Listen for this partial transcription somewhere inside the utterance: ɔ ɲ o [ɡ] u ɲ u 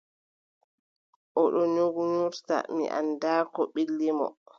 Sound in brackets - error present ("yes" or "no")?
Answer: no